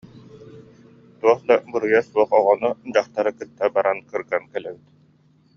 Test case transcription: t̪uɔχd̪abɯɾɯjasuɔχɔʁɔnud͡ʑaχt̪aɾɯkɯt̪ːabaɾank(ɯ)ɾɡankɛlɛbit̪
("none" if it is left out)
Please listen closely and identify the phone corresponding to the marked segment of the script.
ɯ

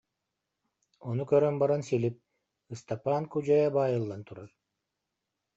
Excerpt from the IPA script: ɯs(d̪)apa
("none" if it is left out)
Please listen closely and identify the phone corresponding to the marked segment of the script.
t̪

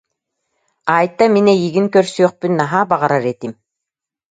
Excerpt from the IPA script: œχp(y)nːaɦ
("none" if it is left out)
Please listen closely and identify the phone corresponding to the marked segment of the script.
y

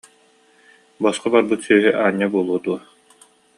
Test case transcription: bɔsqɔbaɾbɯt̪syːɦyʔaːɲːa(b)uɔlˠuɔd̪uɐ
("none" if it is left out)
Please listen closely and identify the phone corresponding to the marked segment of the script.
b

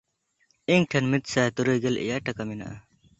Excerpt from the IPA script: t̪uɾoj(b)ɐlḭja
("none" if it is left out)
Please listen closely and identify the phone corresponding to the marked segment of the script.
ɡ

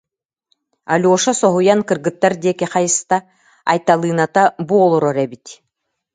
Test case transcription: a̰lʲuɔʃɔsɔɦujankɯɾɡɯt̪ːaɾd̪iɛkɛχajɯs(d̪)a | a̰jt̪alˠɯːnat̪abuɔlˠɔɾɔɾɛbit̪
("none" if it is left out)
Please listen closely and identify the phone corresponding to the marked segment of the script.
t̪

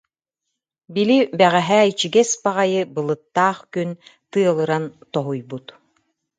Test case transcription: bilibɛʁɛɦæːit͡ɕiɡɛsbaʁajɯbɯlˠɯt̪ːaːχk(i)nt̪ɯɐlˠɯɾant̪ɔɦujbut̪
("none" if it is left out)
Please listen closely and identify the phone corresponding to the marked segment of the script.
y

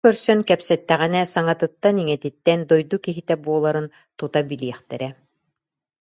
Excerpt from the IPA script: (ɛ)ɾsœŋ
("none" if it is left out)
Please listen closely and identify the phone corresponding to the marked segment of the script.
œ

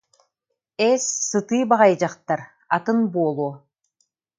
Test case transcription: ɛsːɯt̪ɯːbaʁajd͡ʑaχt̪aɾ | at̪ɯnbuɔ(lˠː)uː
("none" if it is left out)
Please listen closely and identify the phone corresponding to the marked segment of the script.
lˠ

